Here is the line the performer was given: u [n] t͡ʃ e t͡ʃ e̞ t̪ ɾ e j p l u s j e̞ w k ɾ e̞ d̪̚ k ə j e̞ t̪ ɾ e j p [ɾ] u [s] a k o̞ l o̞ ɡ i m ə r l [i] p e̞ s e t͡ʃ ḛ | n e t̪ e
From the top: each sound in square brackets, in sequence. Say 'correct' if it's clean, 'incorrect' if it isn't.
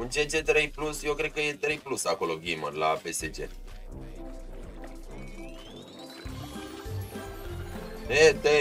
correct, incorrect: l, correct, incorrect: a

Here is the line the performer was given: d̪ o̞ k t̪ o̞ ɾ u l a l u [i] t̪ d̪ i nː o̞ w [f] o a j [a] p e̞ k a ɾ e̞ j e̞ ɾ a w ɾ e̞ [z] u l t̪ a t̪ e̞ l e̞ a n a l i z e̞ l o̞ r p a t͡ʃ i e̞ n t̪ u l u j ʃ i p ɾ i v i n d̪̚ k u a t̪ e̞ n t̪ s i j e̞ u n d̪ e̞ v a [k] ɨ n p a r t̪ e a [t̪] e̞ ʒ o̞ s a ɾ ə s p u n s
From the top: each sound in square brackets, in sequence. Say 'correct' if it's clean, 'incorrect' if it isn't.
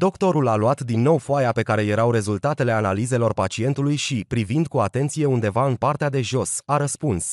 incorrect: a, correct, correct, correct, incorrect: none, incorrect: d̪

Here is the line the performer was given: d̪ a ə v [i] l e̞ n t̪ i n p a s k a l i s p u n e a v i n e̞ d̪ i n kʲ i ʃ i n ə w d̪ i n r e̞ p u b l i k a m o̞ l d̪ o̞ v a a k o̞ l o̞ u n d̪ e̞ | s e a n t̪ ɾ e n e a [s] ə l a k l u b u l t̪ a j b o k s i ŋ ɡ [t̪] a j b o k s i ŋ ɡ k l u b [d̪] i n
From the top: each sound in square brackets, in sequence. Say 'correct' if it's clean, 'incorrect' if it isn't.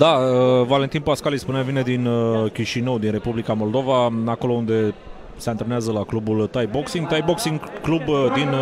incorrect: a, incorrect: z, correct, correct

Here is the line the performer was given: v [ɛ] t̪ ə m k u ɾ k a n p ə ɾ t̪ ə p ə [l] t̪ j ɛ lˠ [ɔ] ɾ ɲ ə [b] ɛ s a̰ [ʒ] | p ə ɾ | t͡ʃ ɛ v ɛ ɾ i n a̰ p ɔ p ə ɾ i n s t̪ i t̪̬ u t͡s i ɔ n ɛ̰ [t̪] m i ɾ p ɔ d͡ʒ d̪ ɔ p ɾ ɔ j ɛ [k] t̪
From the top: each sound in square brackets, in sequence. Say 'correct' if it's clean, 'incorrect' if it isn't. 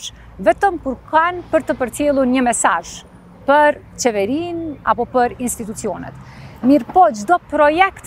correct, incorrect: ɾ, incorrect: u, incorrect: m, correct, correct, correct

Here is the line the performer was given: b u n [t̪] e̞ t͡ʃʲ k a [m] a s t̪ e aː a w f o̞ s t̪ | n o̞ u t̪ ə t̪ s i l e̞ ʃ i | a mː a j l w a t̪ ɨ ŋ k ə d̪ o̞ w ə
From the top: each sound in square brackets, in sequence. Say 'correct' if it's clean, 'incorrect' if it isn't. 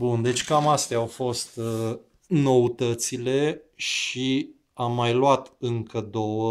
incorrect: d̪, correct

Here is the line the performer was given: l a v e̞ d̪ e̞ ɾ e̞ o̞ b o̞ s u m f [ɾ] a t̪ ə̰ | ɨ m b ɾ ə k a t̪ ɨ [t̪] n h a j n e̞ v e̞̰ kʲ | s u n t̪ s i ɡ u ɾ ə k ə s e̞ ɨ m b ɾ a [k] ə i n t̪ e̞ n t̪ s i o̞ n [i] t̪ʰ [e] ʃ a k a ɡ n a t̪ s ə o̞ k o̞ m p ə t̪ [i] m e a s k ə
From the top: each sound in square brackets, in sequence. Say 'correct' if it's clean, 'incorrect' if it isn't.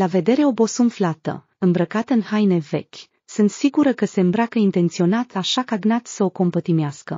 incorrect: l, incorrect: none, correct, incorrect: a, incorrect: a, correct

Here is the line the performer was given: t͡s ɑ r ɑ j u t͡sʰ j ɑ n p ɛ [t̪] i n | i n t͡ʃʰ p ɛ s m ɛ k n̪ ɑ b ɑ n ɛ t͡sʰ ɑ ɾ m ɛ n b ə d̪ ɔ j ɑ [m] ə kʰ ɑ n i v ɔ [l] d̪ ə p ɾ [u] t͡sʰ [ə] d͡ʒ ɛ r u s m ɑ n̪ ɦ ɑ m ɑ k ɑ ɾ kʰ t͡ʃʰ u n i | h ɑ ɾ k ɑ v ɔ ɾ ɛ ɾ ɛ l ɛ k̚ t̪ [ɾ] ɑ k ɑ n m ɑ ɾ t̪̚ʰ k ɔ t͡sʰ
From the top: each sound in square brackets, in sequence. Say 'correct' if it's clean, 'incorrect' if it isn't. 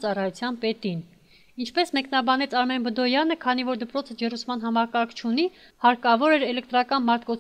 correct, incorrect: n, incorrect: ɾ, incorrect: ɔ, correct, correct

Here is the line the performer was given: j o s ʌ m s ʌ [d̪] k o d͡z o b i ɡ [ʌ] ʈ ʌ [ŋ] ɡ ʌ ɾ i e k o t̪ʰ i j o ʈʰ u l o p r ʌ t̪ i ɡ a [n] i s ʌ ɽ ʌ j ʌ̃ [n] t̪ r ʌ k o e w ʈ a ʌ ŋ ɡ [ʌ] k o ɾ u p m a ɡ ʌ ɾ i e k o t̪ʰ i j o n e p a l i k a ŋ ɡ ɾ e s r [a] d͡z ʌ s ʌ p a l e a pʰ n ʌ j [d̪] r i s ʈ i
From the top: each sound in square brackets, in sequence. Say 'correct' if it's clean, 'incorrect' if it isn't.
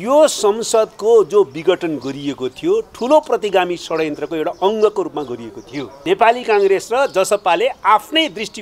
correct, correct, incorrect: n, incorrect: m, correct, correct, incorrect: ʌ, correct

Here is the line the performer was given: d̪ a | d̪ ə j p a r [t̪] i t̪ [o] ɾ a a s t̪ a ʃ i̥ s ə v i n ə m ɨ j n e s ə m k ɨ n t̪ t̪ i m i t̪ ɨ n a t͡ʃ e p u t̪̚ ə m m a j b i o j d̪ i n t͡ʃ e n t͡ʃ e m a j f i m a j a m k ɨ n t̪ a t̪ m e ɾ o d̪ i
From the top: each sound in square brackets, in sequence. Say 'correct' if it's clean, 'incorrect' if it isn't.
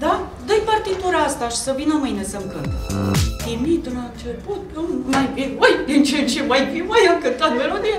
correct, incorrect: u

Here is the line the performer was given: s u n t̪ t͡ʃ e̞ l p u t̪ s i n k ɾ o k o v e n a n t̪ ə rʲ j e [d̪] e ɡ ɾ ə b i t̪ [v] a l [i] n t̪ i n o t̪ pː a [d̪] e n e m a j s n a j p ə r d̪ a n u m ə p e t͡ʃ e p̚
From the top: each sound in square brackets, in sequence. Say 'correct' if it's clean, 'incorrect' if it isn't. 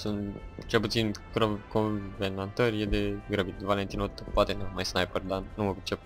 correct, correct, incorrect: e, incorrect: t̪

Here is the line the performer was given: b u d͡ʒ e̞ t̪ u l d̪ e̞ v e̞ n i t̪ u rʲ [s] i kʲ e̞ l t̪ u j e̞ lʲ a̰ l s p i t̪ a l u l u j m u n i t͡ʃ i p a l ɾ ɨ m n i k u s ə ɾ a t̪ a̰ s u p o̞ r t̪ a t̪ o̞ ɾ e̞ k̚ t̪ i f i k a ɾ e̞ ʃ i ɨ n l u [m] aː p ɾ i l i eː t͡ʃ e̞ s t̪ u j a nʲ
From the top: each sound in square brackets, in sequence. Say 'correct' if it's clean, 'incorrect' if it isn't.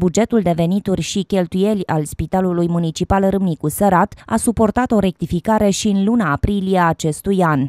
incorrect: ʃ, incorrect: n

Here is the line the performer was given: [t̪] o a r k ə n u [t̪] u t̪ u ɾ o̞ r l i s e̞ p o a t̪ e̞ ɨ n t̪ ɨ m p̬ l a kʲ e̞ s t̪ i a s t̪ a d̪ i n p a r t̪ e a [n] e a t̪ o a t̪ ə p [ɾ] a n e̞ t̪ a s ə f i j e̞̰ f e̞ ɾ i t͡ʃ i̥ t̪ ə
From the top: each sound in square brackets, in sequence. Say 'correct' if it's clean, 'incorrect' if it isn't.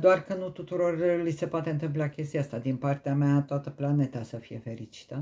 incorrect: d̪, correct, incorrect: m, incorrect: l

